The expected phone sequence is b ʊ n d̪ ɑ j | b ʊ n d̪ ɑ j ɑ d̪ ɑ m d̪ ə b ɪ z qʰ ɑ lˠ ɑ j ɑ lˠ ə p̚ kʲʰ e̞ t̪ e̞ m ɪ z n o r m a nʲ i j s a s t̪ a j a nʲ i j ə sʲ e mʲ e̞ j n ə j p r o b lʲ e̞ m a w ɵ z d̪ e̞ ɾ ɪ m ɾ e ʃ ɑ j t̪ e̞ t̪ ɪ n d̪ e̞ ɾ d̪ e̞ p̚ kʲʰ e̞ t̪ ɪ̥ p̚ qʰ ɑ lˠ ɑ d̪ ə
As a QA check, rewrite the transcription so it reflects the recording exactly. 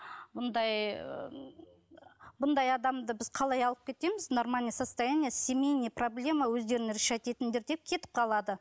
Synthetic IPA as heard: b ʊ n d̪ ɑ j | b ʊ n d̪ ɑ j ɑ d̪ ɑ m d̪ ə b ɪ z qʰ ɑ lˠ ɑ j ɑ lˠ ə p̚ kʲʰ e̞ t̪ e̞ m ɪ z n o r m a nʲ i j s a s t̪ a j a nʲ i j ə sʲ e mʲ e̞ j n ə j p r o b lʲ e̞ m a w ɵ z d̪ e̞ ɾ ɪ n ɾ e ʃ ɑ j t̪ e̞ t̪ ɪ n d̪ e̞ ɾ d̪ e̞ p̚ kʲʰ e̞ t̪ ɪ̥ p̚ qʰ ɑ lˠ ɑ d̪ ə

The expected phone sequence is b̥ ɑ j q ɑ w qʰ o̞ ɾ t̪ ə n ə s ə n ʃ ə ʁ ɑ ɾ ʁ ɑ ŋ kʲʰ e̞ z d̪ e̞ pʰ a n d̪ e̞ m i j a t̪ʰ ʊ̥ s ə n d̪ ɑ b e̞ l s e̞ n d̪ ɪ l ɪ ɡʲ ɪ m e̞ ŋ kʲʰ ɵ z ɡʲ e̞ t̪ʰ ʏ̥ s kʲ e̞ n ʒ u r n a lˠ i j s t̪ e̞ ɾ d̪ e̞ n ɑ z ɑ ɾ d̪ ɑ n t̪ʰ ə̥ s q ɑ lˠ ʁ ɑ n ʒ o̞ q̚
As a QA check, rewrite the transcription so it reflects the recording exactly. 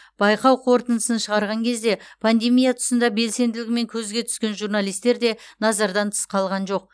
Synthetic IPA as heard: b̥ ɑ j q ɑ w qʰ o̞ ɾ t̪ ə n ə s ə n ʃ ə ʁ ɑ ɾ ʁ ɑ ŋ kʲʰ e̞ z d̪ e̞ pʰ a n d̪ e̞ m i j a t̪ʰ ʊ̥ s ə n d̪ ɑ b e̞ l s e̞ n d̪ ɪ l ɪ ɡʲ ɪ m e̞ ŋ kʲʰ ɵ z ɡʲ e̞ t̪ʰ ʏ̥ s kʲ e̞ n ʒ u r n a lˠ i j s t̪ e̞ ɾ d̪ e̞ n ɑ z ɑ ɾ d̪ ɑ n t̪ʰ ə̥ s q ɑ lˠ ʁ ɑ n ʒ o̞ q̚

